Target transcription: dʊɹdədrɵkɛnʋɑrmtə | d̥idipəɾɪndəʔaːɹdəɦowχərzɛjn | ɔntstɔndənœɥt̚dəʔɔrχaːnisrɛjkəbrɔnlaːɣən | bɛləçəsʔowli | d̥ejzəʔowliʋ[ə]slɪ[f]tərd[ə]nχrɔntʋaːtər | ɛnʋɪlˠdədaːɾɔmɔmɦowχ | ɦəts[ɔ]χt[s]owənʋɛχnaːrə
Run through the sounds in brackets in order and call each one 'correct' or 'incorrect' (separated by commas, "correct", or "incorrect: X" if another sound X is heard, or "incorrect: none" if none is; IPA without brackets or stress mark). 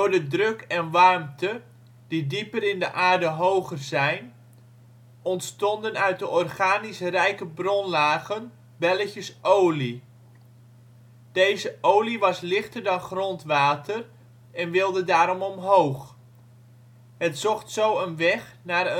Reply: incorrect: ɑ, incorrect: χ, incorrect: ɑ, correct, correct